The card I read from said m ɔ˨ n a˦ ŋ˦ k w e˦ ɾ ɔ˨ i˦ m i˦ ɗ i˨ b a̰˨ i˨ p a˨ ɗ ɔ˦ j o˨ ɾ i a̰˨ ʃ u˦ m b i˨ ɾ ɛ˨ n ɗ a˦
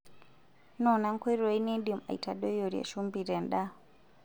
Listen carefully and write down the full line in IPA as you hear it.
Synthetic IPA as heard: n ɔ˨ n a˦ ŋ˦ k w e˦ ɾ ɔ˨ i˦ n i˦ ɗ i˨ m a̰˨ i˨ t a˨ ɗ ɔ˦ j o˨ ɾ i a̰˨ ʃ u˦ m b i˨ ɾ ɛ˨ n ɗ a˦